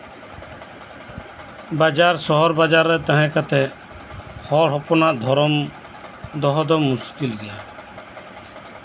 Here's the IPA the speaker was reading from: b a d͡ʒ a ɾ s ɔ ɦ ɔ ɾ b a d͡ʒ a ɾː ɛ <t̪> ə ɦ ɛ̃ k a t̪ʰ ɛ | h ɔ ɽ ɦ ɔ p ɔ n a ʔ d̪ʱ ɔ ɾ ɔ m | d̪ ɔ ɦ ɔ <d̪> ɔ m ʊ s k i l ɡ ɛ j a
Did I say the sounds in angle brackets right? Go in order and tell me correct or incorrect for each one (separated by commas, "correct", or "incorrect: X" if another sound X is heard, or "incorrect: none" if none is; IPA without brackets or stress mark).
correct, correct